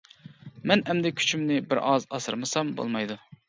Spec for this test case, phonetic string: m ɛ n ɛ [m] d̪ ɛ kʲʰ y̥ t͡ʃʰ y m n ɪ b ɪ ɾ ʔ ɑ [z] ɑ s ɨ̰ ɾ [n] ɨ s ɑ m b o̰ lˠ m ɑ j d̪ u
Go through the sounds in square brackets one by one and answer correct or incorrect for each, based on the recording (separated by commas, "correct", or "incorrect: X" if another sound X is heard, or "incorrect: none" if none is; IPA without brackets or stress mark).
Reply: correct, correct, incorrect: m